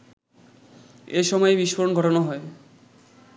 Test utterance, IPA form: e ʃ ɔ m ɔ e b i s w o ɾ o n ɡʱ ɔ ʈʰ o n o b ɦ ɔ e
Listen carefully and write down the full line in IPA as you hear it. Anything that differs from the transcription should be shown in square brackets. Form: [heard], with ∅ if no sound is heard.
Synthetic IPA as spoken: e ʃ ɔ m ɔ e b i [ʃ] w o ɾ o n ɡʱ ɔ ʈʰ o n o [∅] ɦ ɔ e